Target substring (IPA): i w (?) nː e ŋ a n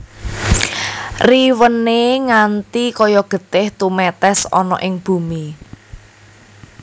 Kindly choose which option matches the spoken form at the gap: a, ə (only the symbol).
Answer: ə